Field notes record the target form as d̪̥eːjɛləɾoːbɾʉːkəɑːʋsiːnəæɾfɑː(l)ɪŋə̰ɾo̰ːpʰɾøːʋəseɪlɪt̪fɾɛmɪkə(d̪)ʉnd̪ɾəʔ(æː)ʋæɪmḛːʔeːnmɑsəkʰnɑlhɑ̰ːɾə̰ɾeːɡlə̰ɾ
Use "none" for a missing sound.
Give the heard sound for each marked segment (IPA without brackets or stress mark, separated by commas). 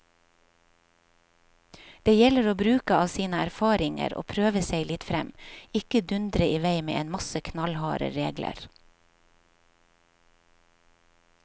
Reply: ɾ, d̪, iː